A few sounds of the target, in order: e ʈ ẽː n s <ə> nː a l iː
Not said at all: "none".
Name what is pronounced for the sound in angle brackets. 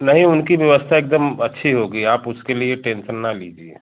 ə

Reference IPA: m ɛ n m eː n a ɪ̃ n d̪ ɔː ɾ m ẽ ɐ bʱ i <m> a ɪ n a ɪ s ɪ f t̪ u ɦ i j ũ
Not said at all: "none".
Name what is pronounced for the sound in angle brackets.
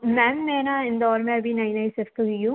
n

